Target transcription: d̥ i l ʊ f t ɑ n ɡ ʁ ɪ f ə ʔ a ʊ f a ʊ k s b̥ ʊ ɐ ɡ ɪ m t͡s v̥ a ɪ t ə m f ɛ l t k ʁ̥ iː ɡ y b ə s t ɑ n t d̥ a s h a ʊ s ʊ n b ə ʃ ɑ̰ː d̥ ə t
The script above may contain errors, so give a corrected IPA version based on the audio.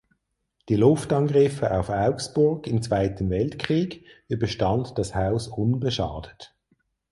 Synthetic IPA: d̥ i l ʊ f t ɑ n ɡ ʁ ɪ f ə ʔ a ʊ f a ʊ k s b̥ ʊ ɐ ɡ ɪ m t͡s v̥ a ɪ t ə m v ɛ l t k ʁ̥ iː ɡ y b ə ʃ t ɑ n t d̥ ɑ s h a ʊ s ʊ n b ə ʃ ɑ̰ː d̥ ə t